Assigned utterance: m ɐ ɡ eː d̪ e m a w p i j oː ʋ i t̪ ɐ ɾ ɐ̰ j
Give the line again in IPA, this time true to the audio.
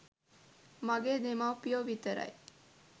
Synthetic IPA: m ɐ ɡ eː d̪ e m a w p i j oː ʋ i t̪ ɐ ɾ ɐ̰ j